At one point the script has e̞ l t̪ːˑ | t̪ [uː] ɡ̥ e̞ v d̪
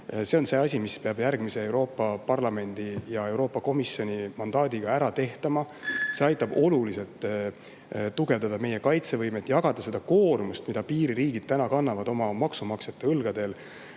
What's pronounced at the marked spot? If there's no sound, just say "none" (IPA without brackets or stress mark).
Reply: u